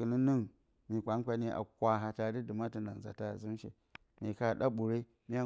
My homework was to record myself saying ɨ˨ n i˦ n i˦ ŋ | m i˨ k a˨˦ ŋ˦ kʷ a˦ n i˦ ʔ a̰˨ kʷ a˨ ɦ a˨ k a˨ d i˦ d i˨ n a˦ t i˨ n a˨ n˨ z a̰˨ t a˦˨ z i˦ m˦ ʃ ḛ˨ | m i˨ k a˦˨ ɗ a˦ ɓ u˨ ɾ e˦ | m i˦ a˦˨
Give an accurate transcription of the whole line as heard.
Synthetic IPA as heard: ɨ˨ n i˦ n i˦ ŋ | m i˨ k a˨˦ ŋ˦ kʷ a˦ n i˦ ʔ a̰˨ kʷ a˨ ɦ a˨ t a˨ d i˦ d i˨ m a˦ t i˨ n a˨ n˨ z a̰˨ t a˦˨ z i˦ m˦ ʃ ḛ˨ | m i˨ k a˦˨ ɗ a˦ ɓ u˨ ɾ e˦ | m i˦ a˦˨